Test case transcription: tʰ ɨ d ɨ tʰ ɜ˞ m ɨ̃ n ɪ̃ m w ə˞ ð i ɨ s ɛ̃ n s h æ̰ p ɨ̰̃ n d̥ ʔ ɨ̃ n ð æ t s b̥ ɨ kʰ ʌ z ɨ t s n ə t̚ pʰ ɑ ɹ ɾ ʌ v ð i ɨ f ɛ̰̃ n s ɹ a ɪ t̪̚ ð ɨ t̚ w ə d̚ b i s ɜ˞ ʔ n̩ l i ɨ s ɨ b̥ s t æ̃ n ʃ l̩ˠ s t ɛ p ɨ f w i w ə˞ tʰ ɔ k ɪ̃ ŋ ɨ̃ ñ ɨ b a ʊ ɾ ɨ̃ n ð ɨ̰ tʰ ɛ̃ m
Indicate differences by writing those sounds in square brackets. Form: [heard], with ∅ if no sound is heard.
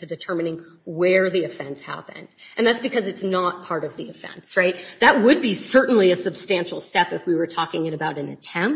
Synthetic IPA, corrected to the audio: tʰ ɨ d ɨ tʰ ɜ˞ m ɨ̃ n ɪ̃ [ŋ] w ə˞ ð i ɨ [f] ɛ̃ n s h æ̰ p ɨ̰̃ n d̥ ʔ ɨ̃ n ð æ t s b̥ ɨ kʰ ʌ z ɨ t s n ə t̚ pʰ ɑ ɹ ɾ ʌ v ð i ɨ f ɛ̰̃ n s ɹ a ɪ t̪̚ ð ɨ t̚ w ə d̚ b i s ɜ˞ ʔ n̩ l i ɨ s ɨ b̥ s t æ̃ n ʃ l̩ˠ s t ɛ p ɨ f w i w ə˞ tʰ ɔ k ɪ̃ ŋ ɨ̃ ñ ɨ b a ʊ ɾ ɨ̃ n ð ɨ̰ tʰ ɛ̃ m

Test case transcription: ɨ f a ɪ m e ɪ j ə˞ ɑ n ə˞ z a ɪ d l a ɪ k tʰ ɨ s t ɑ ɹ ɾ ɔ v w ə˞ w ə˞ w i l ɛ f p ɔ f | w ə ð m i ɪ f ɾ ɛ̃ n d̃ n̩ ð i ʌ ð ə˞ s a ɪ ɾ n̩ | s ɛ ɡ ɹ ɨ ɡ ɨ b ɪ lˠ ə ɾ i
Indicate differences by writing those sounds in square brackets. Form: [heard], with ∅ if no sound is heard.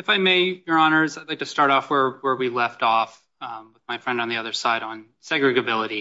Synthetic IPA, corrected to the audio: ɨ f a ɪ m e ɪ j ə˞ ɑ n ə˞ z a ɪ d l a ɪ k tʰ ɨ s t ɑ ɹ ɾ ɔ [f] w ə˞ w ə˞ w i l ɛ f [t] ɔ f | w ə ð m [a] ɪ f [ɹ] ɛ̃ n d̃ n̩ ð i ʌ ð ə˞ s a ɪ ɾ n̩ | s ɛ ɡ ɹ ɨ ɡ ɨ b ɪ lˠ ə ɾ i

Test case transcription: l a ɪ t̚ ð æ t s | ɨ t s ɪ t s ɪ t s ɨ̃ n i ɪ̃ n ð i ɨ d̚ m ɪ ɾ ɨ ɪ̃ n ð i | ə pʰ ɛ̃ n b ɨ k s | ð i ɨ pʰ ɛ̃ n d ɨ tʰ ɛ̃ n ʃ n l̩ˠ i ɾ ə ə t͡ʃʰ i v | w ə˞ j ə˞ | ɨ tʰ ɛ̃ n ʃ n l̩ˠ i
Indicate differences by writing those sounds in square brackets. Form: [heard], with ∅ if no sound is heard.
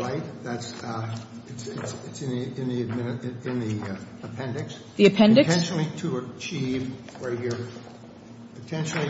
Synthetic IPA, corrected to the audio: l a ɪ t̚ ð æ t s | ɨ t s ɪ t s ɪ t s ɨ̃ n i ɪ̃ n ð i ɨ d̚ m ɪ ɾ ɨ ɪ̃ n ð i | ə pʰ ɛ̃ n [d] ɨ k s | ð i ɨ pʰ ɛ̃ n d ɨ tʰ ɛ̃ n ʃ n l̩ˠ i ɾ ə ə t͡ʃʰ i v | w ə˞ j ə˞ | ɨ tʰ ɛ̃ n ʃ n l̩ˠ i

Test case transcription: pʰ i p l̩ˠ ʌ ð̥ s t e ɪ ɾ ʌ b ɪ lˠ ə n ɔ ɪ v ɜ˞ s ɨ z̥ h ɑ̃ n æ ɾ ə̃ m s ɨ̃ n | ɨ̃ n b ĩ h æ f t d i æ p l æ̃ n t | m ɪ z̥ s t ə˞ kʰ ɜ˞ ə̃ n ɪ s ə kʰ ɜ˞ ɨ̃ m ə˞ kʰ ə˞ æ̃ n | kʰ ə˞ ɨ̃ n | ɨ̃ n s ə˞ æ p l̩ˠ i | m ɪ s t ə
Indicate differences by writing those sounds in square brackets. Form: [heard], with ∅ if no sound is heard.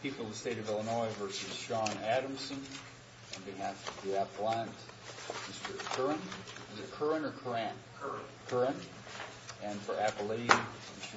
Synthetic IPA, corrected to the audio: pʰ i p l̩ˠ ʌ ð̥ s t e ɪ ɾ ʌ [v] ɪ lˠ ə n ɔ ɪ v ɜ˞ s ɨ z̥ [ʃ] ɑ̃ n æ ɾ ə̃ m s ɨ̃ n | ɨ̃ n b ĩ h æ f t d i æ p l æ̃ n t | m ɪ [∅] s t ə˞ kʰ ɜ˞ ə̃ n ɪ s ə kʰ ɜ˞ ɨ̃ [n] ə˞ kʰ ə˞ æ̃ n | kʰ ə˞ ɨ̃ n | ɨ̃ n [f] ə˞ æ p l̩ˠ i | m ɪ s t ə

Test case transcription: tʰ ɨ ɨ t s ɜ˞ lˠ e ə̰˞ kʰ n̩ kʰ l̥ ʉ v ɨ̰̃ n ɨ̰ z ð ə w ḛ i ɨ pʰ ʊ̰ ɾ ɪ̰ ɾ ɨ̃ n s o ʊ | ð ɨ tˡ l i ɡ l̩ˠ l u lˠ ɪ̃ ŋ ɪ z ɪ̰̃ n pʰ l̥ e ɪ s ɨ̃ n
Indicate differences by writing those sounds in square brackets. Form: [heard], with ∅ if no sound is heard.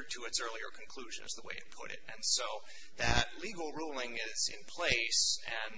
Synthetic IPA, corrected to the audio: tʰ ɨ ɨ t s ɜ˞ lˠ [i] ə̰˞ kʰ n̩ kʰ l̥ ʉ [ʒ] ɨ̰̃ n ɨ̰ z ð ə w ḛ [ɪ] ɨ pʰ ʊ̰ ɾ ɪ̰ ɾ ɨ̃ n s o ʊ | ð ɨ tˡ l i ɡ l̩ˠ [ɹ] u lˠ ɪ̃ ŋ ɪ z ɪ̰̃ n pʰ l̥ e ɪ s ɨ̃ n

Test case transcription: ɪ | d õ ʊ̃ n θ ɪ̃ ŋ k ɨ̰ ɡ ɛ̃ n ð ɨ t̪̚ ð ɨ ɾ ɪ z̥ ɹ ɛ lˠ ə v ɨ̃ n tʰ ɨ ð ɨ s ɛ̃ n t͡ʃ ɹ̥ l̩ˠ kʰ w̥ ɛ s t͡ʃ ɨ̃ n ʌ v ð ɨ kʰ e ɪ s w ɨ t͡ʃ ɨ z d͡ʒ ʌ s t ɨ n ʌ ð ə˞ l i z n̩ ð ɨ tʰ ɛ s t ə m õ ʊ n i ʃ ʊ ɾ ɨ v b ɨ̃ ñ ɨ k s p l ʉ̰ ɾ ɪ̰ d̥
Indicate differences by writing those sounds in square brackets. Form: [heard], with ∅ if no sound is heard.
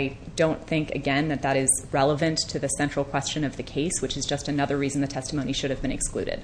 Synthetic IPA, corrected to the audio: ɪ | d õ ʊ̃ n θ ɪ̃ ŋ k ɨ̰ ɡ ɛ̃ n ð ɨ t̪̚ ð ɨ ɾ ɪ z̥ ɹ ɛ lˠ ə v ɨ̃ n tʰ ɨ ð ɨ s ɛ̃ n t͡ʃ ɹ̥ l̩ˠ kʰ w̥ ɛ s t͡ʃ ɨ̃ n ʌ v ð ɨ kʰ e ɪ s w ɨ t͡ʃ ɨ z d͡ʒ ʌ s t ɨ n ʌ ð ə˞ [ɹ] i z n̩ ð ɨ tʰ ɛ s t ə m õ ʊ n i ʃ ʊ ɾ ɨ v b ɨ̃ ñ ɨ k s [k] l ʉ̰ ɾ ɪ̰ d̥

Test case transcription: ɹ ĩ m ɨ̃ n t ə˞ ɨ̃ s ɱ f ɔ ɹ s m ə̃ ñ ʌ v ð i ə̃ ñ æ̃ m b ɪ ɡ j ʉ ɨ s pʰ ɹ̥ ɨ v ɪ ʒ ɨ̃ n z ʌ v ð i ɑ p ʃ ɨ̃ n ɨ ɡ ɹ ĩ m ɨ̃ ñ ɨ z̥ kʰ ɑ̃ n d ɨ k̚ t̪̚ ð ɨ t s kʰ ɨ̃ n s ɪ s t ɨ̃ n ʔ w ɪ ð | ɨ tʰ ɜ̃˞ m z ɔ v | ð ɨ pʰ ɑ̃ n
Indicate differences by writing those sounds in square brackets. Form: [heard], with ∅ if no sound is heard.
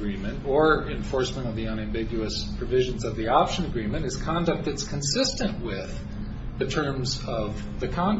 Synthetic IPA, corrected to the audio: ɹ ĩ m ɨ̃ n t ə˞ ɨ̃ [∅] ɱ f ɔ ɹ s m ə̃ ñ ʌ v ð i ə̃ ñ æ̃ m b ɪ ɡ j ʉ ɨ s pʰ ɹ̥ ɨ v ɪ ʒ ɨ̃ n z ʌ v ð i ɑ p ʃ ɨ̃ n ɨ ɡ ɹ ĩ m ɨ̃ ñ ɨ z̥ kʰ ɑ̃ n d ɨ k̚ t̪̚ ð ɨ t s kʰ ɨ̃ n s ɪ s t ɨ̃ n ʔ w ɪ ð | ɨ tʰ ɜ̃˞ m z [ʌ] v | ð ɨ [kʰ] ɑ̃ n

